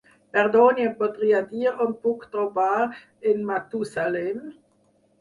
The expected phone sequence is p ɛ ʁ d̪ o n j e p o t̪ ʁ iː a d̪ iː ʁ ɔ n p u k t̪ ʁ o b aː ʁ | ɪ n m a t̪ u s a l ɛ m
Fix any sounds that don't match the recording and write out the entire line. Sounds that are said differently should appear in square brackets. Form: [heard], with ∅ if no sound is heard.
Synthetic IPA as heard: p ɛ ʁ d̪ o n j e p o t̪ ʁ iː a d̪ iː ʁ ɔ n p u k t̪ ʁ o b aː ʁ | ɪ n m a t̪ u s a l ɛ m